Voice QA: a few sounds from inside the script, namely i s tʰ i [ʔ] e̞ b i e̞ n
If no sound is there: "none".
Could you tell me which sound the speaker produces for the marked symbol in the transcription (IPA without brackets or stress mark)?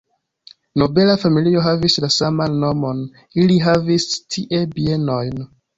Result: ʔ